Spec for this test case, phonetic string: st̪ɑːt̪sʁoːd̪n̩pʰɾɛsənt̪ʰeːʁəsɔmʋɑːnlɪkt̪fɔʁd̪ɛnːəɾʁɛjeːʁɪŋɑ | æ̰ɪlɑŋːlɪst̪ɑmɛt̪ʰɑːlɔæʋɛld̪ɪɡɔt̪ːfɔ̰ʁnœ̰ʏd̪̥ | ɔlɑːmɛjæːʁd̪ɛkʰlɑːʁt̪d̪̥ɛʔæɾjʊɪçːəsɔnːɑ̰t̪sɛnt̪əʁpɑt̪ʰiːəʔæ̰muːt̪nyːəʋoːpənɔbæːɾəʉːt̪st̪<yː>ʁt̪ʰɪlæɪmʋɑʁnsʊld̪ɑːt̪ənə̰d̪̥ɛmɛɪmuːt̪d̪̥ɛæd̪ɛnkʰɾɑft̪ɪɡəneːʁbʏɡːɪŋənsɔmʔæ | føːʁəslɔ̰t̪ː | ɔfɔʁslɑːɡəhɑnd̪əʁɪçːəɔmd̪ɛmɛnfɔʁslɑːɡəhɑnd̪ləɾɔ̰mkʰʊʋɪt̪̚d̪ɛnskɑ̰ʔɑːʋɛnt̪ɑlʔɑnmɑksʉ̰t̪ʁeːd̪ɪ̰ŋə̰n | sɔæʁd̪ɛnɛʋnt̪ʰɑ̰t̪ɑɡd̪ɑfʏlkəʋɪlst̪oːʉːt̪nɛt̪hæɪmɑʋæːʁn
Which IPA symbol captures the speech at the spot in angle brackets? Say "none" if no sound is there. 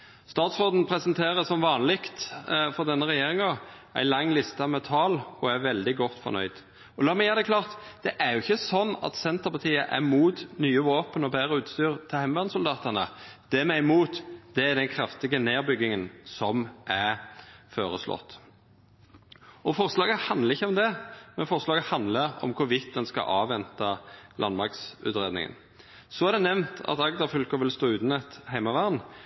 yː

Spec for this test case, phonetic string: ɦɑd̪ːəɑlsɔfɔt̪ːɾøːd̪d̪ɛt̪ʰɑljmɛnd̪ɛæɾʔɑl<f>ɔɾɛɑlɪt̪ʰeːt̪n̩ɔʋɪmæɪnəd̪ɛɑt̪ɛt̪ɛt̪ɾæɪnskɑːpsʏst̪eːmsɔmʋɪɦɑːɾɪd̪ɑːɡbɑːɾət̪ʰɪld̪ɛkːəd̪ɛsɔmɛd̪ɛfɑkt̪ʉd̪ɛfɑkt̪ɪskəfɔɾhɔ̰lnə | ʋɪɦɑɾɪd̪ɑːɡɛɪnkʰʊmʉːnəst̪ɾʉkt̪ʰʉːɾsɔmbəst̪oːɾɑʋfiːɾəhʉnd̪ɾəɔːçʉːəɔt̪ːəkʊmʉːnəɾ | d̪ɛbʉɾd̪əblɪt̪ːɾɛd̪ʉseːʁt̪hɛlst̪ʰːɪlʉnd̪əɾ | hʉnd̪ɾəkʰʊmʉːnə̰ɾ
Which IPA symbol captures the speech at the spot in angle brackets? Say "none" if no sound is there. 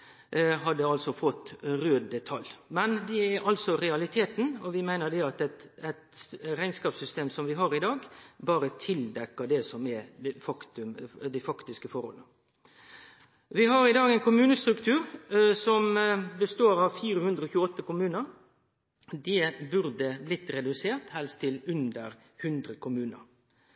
s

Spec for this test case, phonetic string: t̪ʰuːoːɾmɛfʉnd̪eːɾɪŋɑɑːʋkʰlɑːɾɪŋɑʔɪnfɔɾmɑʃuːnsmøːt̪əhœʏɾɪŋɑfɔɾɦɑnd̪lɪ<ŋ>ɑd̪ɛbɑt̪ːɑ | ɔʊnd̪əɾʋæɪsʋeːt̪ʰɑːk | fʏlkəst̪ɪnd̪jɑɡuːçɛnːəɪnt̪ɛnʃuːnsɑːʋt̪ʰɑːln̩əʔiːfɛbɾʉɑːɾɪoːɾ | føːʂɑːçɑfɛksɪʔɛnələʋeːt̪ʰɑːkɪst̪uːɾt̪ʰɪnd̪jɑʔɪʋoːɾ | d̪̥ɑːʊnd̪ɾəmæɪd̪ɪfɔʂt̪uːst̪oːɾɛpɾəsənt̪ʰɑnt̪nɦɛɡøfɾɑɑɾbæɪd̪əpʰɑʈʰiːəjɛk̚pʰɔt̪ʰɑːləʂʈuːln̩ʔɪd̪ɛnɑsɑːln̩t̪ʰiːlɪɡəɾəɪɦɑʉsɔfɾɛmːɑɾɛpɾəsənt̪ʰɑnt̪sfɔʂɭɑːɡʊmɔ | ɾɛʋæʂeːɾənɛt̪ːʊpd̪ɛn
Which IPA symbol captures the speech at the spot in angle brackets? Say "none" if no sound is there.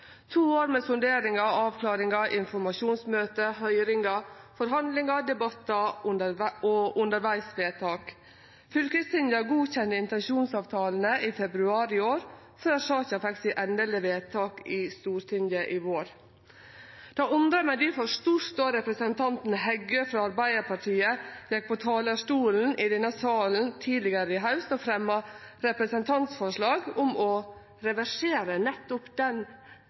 ŋ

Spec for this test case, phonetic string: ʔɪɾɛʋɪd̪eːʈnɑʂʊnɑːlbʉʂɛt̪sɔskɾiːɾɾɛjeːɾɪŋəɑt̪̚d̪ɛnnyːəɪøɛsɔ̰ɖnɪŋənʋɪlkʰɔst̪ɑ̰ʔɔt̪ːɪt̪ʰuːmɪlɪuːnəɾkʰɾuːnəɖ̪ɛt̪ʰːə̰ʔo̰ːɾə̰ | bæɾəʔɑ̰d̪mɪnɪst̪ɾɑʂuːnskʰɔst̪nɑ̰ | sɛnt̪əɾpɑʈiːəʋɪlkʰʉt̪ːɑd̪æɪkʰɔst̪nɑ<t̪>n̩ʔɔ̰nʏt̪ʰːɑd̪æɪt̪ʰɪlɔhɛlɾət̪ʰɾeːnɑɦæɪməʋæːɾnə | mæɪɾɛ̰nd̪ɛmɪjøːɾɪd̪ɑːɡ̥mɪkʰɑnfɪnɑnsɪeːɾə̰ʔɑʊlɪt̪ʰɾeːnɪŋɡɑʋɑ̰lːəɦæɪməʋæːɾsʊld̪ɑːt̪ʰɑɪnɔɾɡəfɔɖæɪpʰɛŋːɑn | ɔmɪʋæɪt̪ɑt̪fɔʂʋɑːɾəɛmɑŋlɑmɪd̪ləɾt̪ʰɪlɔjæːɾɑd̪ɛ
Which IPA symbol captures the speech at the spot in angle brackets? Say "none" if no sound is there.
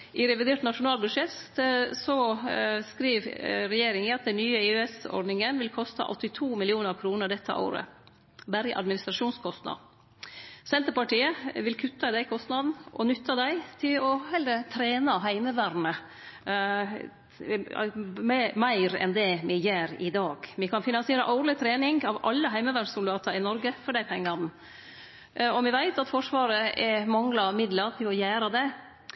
d̪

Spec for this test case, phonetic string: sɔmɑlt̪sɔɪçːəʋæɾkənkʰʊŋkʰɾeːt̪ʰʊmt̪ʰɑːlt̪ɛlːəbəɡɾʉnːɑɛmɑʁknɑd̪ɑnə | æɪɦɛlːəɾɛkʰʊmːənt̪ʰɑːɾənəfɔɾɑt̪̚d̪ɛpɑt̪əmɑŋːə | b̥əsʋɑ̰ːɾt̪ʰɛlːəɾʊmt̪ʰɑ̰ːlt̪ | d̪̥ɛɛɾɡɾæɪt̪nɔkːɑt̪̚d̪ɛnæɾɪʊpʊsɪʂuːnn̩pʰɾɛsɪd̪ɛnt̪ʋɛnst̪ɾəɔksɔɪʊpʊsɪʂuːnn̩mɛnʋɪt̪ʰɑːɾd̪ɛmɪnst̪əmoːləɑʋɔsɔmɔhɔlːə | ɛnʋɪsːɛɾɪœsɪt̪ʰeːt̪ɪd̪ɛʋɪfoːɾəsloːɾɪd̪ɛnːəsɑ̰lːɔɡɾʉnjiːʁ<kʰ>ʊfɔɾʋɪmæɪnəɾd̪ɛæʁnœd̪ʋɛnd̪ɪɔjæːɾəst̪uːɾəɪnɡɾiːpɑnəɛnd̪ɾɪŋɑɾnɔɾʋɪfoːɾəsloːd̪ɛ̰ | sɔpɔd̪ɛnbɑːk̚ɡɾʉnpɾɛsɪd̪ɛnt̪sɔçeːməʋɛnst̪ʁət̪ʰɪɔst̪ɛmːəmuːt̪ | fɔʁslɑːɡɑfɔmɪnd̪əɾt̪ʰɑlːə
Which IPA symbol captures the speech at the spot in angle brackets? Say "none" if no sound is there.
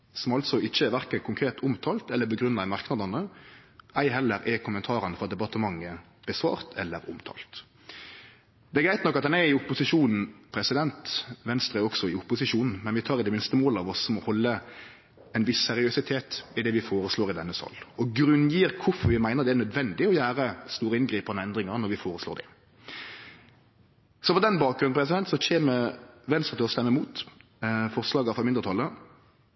kʰ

